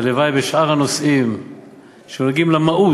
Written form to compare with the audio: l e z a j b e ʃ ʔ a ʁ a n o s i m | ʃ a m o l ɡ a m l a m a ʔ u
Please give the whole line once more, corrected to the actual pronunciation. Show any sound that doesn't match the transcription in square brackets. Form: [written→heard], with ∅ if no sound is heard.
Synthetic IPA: l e [z→v] a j b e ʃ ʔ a ʁ a n o s i m | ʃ [a→e] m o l ɡ [a→i] m l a m a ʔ u